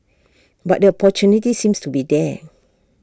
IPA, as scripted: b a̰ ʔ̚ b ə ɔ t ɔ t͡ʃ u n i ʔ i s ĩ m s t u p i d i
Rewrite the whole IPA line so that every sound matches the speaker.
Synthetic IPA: b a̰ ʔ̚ d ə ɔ p ɔ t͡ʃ u n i t i s ĩ m s t u b i d ɛ